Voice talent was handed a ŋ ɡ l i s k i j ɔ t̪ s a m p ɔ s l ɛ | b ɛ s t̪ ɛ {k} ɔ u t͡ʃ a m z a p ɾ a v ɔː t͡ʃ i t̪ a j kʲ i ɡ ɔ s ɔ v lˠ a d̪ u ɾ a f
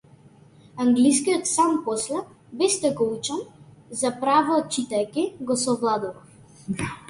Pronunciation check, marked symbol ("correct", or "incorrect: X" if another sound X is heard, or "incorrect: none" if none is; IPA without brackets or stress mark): incorrect: ɡ